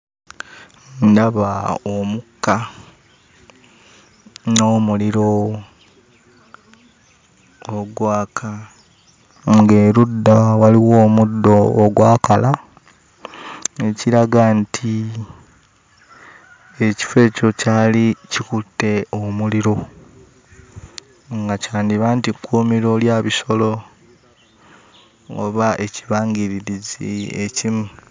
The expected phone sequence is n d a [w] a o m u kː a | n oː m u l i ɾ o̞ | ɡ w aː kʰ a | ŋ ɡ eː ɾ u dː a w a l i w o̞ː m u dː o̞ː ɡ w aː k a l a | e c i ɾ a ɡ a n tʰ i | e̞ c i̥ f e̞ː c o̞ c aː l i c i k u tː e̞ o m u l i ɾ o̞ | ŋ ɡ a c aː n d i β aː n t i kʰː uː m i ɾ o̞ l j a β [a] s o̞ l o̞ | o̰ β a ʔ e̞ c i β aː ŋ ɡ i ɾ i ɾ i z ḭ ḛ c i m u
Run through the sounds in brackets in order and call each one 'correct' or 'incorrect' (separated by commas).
incorrect, incorrect